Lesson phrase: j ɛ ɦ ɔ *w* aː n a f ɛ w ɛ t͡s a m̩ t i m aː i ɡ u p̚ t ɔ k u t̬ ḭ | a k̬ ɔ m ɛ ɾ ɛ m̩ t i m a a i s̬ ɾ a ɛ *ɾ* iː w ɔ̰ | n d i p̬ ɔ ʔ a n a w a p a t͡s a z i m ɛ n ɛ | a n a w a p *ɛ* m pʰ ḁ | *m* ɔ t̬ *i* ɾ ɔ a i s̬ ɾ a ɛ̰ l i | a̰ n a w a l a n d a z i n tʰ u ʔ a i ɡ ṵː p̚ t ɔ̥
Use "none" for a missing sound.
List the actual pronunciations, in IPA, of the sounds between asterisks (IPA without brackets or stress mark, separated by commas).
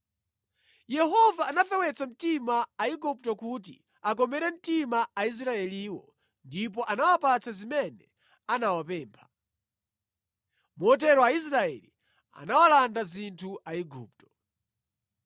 v, l, ɛː, m, ɛ